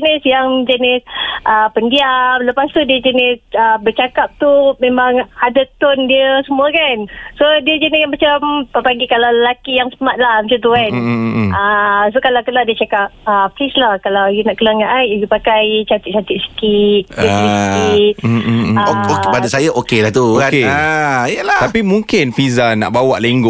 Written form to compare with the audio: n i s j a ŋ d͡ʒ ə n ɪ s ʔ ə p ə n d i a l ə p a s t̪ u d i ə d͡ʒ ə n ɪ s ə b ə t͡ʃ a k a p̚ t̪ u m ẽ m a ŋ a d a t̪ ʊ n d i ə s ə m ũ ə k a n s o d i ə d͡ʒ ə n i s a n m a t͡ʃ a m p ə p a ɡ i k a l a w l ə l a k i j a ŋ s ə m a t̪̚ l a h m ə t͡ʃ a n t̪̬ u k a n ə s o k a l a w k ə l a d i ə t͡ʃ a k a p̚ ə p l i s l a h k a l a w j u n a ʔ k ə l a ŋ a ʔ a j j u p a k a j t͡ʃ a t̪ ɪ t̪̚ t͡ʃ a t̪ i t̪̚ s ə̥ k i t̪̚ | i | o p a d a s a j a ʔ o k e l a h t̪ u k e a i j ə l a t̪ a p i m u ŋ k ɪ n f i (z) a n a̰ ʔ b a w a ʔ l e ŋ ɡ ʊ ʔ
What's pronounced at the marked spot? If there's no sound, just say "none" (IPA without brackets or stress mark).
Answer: z